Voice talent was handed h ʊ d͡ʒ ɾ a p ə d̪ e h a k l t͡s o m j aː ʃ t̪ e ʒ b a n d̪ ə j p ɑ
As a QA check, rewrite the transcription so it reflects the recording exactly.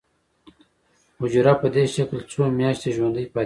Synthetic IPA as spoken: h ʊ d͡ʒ ɾ a p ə d̪ e ʃ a k l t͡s o m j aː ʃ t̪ e ʒ w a n d̪ ə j p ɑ

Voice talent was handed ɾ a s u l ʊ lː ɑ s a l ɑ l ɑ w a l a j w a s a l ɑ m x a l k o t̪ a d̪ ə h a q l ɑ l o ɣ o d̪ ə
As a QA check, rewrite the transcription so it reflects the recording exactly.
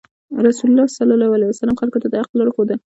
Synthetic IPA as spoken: ɾ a s u l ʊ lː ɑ s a l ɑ l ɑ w a l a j w a s a l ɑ m x a l k o t̪ a d̪ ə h a q l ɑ ɽ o x o d̪ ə

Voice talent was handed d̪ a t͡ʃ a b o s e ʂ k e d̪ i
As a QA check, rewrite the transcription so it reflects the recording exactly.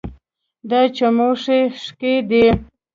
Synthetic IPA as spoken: d̪ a t͡ʃ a m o ʂ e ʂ k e d̪ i

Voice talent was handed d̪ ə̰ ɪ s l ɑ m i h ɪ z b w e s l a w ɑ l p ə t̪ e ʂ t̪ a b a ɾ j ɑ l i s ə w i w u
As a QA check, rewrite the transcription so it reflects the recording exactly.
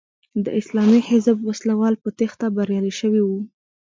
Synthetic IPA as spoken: d̪ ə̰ ɪ s l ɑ m i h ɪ z b w a s l a w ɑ l p ə t̪ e x t̪ a b a ɾ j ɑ l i ʃ ə w i w u

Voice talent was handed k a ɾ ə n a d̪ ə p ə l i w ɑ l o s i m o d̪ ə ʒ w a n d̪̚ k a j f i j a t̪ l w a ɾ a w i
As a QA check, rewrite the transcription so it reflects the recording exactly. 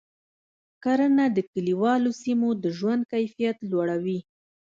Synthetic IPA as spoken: k a ɾ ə n a d̪ ə k ə l i w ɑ l o s i m o d̪ ə ʒ w a n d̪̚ k a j f i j a t̪ l w a ɽ a w i

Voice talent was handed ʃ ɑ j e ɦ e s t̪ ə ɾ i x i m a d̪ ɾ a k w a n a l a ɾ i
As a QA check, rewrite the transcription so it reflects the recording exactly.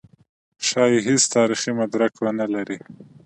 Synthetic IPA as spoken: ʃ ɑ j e ɦ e s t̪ ɑ ɾ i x i m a d̪ ɾ a k w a n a l a ɾ i

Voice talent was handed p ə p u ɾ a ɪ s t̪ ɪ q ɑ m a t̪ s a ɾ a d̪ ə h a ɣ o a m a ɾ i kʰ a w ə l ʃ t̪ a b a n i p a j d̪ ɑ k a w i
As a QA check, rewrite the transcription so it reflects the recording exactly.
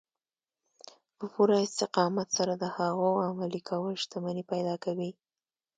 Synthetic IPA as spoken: p ə p u ɾ a ɪ s t̪ ɪ q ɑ m a t̪ s a ɾ a d̪ ə h a ɣ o a m a l i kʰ a w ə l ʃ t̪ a m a n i p a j d̪ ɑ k a w i

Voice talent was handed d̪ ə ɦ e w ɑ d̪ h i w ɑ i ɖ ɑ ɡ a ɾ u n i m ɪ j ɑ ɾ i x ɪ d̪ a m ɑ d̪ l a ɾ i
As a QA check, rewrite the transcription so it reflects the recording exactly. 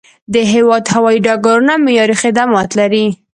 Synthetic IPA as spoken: d̪ ə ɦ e w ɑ d̪ h a w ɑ i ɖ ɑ ɡ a ɾ u n a m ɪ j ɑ ɾ i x ɪ d̪ a m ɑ t̪ l a ɾ i

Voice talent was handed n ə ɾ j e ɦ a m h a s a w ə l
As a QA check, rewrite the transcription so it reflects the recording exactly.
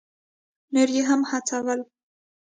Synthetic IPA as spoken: n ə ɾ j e ɦ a m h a t͡s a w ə l

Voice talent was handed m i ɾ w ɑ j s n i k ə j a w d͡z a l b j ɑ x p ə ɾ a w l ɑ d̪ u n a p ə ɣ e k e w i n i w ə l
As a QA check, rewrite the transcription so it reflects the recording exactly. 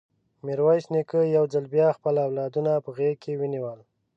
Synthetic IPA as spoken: m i ɾ w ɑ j s n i k ə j a w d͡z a l b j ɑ x p ə l a w l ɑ d̪ u n a p ə ɣ e k e w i n i w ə l

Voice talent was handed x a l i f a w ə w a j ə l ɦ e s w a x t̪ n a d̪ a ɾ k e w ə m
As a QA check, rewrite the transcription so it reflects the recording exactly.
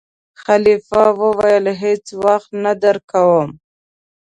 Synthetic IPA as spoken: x a l i f a w ə w a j ə l ɦ e t͡s w a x t̪ n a d̪ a ɾ k a w ə m

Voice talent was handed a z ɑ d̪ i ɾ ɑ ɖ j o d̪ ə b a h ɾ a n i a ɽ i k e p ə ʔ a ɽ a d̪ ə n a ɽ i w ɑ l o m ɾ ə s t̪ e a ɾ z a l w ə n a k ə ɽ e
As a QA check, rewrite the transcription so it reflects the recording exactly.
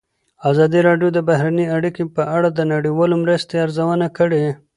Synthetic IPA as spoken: a z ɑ d̪ i ɾ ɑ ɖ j o d̪ ə b a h ɾ a n i a ɽ i k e p ə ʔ a ɽ a d̪ ə n a ɽ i w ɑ l o m ɾ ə s t̪ e a ɾ z a w ə n a k ə ɽ e

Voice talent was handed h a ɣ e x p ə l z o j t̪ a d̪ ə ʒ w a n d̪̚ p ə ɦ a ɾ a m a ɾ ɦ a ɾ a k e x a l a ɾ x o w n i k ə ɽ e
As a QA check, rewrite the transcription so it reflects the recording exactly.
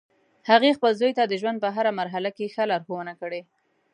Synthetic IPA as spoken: h a ɣ e x p ə l z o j t̪ a d̪ ə ʒ w a n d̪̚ p ə ɦ a ɾ a m a ɾ ɦ a l a k e x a l a ɾ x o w n a k ə ɽ e

